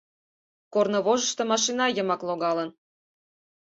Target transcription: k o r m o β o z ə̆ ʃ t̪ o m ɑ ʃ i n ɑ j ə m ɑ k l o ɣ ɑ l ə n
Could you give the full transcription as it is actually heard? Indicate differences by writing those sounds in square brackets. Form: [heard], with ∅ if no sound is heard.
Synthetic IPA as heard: k o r [n] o β o [ʒ] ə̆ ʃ t̪ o m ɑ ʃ i n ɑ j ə m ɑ k l o ɣ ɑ l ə n